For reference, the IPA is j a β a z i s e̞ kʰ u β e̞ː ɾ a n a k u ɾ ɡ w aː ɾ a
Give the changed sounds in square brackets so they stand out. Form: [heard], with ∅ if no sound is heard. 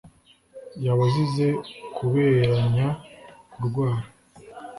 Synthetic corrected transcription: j a β a z i [z] e̞ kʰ u β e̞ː ɾ a [ɲ] a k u ɾ ɡ w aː ɾ a